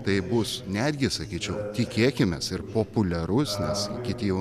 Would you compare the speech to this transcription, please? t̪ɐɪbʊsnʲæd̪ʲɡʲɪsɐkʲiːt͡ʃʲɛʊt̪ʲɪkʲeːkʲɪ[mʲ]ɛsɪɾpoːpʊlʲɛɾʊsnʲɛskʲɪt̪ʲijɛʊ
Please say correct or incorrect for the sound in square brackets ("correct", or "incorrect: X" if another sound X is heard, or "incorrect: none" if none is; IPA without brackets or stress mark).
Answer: correct